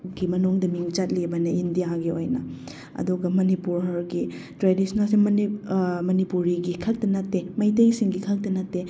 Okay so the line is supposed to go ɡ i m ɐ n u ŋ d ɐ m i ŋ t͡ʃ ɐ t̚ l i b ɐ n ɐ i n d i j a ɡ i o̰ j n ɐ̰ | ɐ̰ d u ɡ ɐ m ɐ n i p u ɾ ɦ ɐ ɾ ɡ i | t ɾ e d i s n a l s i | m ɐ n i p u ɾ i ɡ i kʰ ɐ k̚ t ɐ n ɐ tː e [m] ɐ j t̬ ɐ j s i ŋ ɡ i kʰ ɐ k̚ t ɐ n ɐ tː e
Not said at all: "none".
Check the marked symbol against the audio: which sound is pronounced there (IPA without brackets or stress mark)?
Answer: m